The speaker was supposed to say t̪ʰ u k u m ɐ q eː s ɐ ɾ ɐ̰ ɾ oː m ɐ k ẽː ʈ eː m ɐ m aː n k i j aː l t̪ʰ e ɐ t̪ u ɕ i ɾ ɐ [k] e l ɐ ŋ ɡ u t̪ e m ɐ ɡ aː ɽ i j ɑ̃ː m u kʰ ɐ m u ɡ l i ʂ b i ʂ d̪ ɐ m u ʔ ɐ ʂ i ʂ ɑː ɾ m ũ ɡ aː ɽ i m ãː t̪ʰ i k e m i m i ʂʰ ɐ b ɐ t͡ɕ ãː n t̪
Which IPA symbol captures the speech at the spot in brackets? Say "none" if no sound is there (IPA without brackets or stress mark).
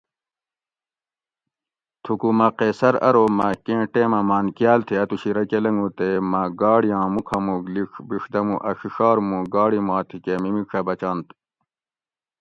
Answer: k